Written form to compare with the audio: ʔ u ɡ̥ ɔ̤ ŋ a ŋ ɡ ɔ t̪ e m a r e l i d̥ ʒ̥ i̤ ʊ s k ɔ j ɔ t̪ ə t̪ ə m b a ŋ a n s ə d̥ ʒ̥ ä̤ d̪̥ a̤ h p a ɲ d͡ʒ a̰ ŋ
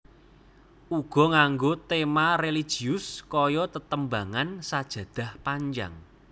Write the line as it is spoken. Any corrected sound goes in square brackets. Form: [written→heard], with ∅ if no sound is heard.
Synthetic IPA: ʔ u ɡ̥ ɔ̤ ŋ a ŋ ɡ [ɔ→o] t̪ e m a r e l i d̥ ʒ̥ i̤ ʊ s k ɔ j ɔ t̪ ə t̪ ə m b a ŋ a n s [ə→a] d̥ ʒ̥ ä̤ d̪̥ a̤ h p a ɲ d͡ʒ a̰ ŋ